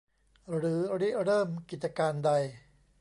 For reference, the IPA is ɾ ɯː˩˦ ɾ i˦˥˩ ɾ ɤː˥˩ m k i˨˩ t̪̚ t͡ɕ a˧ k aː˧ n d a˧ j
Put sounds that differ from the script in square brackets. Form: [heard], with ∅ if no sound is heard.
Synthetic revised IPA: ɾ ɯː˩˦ ɾ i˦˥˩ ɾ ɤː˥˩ m k i˨˩ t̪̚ t͡ɕ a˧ k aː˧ n d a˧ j